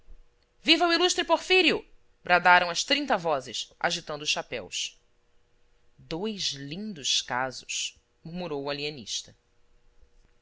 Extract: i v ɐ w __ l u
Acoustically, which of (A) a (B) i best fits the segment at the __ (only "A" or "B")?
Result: B